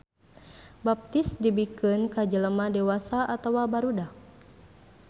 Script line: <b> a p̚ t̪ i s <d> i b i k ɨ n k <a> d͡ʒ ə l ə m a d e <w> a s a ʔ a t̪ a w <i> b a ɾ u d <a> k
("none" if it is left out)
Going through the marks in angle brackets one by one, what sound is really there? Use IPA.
b, d, a, w, a, a

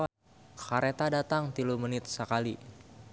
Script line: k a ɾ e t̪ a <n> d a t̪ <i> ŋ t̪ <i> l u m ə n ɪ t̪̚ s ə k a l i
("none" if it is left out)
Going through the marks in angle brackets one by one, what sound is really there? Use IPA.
none, a, i

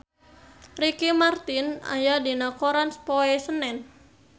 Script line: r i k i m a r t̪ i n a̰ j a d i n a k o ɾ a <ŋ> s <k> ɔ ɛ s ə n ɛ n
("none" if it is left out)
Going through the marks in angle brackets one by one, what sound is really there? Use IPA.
n, p

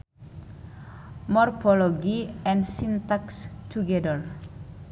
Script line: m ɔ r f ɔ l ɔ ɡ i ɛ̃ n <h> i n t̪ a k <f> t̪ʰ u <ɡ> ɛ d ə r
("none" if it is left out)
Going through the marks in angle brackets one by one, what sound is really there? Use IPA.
s, s, ɡ

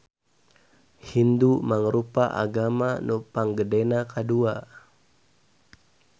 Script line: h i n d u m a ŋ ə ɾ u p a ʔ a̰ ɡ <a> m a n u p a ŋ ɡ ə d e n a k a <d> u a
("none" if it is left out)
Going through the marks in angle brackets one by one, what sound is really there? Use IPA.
a, d

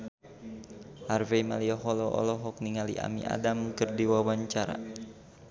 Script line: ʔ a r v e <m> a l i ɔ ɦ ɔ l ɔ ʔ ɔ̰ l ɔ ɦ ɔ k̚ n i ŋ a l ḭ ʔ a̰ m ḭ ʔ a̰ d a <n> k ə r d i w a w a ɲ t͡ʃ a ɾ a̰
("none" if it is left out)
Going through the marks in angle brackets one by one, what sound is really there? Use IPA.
m, m

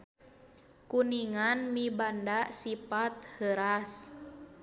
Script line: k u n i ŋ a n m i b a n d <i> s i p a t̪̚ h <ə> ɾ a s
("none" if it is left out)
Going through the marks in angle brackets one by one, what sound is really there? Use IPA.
a, ə

